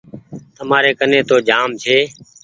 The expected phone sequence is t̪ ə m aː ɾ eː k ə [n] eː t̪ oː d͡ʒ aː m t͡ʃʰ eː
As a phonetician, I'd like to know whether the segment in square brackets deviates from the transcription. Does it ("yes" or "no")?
no